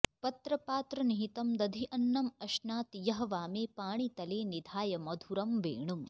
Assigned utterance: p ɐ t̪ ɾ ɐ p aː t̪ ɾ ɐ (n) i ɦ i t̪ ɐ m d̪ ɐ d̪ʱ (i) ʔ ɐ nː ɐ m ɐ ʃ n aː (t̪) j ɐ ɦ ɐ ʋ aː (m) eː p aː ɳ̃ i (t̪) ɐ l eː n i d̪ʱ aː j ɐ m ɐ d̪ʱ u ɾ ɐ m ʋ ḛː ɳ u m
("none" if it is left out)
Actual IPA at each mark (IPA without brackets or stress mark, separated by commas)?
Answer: n, i, t̪, m, t̪